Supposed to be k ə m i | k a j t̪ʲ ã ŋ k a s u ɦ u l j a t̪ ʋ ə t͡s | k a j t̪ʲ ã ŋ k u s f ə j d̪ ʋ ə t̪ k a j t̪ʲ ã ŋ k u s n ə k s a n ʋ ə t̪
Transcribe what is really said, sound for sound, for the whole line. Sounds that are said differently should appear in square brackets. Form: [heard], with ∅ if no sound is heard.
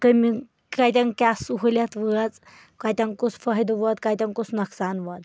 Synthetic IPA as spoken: k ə m i | k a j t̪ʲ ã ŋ k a s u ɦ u l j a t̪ ʋ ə t͡s | k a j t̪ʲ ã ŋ k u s f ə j d̪ ʋ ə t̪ k a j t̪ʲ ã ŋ k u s n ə k s a n ʋ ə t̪